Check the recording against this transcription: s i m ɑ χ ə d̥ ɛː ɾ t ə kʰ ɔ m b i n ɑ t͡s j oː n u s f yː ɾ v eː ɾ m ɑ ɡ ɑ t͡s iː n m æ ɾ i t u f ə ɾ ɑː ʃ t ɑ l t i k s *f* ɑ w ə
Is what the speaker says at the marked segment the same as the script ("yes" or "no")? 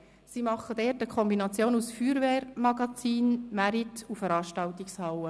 no